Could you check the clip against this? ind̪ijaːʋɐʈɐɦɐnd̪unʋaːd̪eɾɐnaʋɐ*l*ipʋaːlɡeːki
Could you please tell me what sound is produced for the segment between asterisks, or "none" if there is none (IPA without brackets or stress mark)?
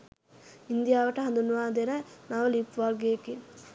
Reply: l